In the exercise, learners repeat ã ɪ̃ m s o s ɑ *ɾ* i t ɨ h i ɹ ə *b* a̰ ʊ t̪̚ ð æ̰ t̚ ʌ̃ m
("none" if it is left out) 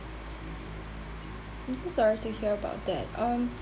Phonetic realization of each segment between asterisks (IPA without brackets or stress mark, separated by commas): ɹ, b